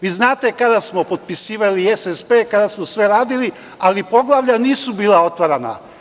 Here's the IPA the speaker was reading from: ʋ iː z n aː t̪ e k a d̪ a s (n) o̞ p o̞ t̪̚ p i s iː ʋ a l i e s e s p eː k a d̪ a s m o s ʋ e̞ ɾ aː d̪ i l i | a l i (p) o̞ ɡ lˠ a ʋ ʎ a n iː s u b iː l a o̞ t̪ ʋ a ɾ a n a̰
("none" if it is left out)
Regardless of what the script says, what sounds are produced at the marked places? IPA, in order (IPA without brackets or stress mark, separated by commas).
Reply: m, p